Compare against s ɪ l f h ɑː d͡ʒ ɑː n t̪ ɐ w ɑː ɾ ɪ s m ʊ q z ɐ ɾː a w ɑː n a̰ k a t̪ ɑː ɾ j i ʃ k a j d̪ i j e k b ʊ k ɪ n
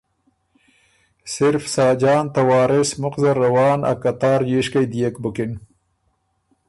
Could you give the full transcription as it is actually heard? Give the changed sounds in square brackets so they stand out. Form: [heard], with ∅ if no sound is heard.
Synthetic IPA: s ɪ [ɾ] f [s] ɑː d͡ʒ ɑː n t̪ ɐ w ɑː ɾ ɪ s m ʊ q z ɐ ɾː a w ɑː n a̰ k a t̪ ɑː ɾ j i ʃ k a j d̪ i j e k b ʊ k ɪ n